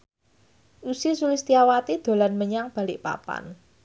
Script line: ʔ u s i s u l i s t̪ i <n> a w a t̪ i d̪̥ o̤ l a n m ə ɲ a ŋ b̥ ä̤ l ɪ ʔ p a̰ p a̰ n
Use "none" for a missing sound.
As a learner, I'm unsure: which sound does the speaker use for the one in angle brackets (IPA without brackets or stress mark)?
none